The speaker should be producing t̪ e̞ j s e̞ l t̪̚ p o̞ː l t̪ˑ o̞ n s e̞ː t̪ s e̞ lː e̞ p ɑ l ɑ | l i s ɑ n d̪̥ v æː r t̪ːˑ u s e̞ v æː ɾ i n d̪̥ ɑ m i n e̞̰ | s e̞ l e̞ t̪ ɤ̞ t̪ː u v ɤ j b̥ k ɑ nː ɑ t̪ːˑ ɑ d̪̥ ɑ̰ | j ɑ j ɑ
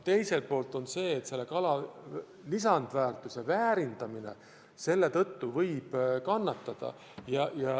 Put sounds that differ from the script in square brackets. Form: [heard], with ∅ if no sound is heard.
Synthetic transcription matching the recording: t̪ e̞ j s e̞ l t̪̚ p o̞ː l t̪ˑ o̞ n s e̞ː t̪ s e̞ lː e̞ [k] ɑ l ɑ | l i s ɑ n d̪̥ v æː r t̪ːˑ u s e̞ v æː ɾ i n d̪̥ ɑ m i n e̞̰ | s e̞ [lː] e̞ t̪ ɤ̞ t̪ː u v ɤ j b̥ k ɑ nː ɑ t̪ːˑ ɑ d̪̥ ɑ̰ | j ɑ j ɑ